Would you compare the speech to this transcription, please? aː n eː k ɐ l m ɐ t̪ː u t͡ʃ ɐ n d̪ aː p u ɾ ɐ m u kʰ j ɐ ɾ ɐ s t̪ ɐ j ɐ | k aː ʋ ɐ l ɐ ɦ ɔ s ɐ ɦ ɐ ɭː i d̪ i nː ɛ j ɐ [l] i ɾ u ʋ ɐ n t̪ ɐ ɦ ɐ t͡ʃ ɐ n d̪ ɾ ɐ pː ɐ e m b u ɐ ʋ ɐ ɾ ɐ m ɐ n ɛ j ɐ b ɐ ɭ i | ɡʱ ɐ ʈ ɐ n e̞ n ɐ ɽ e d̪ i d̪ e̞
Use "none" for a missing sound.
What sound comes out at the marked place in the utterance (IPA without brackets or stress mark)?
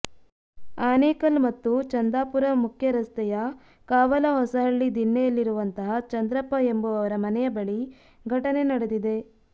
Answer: lː